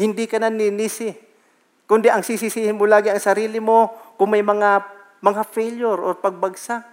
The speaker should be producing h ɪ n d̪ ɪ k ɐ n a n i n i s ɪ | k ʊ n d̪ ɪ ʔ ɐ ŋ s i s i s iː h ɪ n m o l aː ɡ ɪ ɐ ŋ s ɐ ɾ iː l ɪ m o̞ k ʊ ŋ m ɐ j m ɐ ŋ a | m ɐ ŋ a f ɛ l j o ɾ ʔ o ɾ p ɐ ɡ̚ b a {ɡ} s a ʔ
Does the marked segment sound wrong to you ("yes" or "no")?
no